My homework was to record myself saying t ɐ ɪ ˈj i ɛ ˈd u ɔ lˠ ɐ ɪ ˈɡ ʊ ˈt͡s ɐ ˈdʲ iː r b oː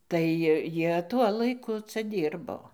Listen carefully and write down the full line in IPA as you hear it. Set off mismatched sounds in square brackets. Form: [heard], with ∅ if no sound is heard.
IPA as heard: t ɐ ɪ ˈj i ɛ [ˈt] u ɔ lˠ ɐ ɪ [ˈk] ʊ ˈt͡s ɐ ˈdʲ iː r b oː